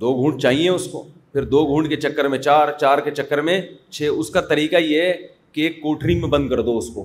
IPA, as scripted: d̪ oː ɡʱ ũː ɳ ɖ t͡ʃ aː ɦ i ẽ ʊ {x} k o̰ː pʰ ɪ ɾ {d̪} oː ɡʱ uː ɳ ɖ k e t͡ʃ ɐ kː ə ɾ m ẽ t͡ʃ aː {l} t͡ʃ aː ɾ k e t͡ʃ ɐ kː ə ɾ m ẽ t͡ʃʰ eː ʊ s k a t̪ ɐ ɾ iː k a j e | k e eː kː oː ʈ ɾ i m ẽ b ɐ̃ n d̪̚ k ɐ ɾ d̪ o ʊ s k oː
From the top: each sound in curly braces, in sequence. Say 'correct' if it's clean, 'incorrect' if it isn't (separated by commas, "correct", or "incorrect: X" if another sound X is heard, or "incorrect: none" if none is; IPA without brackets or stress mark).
incorrect: s, correct, incorrect: ɾ